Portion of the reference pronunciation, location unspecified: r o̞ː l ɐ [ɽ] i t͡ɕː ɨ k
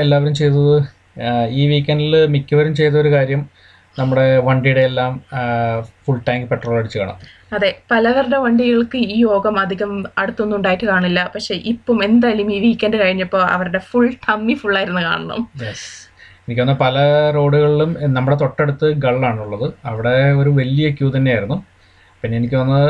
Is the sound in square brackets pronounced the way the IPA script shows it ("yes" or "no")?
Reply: yes